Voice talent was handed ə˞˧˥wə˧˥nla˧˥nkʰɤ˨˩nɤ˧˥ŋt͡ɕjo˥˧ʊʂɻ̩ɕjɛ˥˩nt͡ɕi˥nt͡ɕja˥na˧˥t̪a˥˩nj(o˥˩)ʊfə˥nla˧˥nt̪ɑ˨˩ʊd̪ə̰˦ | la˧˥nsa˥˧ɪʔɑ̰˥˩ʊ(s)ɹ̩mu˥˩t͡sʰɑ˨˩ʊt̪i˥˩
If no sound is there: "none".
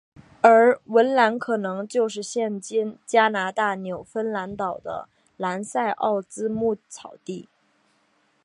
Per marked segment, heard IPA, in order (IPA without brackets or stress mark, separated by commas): o˨˩, t͡s